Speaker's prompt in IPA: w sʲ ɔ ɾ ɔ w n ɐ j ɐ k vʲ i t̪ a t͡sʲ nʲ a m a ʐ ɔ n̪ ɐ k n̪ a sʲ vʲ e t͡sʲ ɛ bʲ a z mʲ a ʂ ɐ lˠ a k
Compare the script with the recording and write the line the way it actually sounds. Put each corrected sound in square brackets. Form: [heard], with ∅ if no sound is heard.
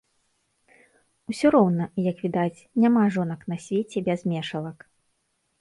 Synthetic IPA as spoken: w sʲ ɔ ɾ ɔ w n ɐ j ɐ k vʲ i [d̪] a t͡sʲ nʲ a m a ʐ ɔ n̪ ɐ k n̪ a sʲ vʲ e t͡sʲ ɛ bʲ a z mʲ [ɛ] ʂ ɐ lˠ [ɐ] k